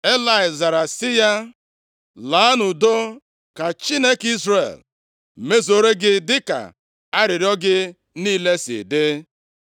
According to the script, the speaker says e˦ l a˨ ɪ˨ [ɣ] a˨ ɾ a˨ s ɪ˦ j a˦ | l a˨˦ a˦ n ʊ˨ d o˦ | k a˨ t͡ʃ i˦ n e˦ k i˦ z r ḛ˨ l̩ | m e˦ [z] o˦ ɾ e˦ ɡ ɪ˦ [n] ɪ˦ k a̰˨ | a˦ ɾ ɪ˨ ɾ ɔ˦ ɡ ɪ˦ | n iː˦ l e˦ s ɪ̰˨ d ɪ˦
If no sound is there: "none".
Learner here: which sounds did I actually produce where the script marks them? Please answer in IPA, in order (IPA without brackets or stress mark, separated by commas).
z, z, d